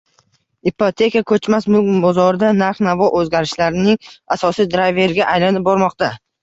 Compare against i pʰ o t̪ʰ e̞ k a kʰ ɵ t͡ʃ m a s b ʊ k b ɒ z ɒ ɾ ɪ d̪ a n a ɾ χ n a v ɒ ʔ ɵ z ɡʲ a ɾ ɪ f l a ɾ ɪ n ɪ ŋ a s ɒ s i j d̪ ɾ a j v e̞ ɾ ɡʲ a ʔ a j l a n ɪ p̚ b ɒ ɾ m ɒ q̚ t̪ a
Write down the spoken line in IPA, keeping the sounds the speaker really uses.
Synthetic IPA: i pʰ o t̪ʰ e̞ k a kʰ ɵ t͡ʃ m a s m ʊ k b ɒ z ɒ ɾ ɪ d̪ a n a ɾ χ n a v ɒ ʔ ɵ z ɡʲ a ɾ ɪ ʃ l a ɾ ɪ n ɪ ŋ a s ɒ s i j d̪ ɾ a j v e̞ ɾ ɡʲ a ʔ a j l a n ɪ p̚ b ɒ ɾ m ɒ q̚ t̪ a